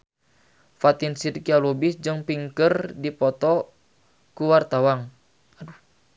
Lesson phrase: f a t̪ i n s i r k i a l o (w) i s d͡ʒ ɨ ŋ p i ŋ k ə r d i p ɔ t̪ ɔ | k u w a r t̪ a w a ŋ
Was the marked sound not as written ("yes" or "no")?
yes